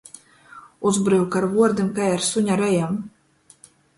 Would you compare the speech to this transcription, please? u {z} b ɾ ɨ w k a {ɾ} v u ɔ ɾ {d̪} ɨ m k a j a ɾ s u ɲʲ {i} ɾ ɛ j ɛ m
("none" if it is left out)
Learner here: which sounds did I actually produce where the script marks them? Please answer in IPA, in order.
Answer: z, ɾ, d̪, a

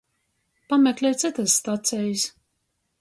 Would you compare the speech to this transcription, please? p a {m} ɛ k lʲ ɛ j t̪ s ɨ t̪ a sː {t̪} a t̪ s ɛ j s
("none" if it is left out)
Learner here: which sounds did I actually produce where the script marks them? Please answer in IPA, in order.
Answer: m, t̪

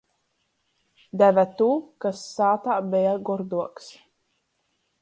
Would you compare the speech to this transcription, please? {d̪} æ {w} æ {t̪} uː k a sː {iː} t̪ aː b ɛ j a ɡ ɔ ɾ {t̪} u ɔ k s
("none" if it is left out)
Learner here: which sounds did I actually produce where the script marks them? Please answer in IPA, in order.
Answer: d̪, v, t̪, aː, d̪

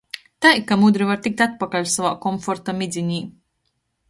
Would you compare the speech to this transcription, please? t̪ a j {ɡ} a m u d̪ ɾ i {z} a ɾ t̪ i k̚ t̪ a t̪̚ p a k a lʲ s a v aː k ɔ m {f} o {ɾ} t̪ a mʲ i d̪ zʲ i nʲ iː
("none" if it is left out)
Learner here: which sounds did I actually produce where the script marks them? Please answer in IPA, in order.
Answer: k, v, f, ɾ

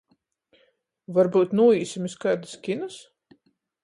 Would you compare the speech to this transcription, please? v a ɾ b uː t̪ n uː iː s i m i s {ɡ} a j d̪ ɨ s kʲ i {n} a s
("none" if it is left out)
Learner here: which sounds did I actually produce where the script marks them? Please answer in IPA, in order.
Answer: k, n

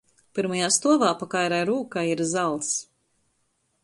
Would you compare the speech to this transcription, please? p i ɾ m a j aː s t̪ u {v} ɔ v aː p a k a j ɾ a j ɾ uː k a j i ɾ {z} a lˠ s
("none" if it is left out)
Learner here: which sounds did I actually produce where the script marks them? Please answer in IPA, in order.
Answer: none, z

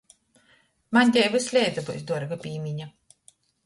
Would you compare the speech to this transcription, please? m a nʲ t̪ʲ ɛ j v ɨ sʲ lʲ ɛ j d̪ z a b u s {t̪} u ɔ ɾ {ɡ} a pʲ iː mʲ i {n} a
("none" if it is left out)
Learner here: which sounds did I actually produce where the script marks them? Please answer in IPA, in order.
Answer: d̪, ɡ, ɲ

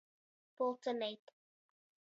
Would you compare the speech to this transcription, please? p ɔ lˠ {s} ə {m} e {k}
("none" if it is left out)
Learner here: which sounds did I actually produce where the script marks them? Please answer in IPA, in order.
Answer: t, n, t

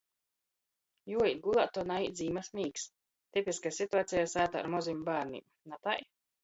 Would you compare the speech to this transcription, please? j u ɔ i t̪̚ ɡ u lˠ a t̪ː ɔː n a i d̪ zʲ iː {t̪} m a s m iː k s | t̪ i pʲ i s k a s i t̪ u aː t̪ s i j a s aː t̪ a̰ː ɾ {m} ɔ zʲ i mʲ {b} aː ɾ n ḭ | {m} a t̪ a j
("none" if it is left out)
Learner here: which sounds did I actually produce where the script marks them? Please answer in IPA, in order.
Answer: none, m, b, n

